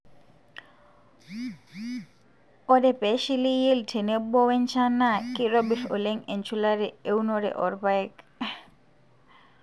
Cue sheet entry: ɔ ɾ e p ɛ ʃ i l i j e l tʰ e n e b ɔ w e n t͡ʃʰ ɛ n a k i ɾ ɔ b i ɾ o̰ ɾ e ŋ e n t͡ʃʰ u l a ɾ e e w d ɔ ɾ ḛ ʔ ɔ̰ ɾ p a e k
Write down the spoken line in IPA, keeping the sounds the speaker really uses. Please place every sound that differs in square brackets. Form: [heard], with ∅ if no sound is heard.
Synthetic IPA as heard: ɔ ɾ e p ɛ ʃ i l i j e l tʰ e n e b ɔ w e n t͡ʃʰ [a] n a k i ɾ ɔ b i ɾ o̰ [l] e ŋ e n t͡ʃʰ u l a ɾ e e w [n] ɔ ɾ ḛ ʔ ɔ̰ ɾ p a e k